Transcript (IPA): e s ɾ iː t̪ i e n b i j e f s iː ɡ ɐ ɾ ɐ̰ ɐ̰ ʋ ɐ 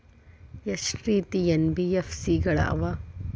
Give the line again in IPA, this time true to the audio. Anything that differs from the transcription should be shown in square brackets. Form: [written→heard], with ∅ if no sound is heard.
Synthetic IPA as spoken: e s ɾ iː t̪ i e n b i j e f s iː ɡ ɐ [ɾ→ɭ] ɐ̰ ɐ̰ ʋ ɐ